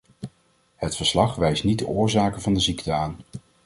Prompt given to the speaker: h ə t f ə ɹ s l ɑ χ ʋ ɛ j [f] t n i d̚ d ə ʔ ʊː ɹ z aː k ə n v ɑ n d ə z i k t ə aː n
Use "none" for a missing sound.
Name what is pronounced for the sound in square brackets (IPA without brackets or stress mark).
s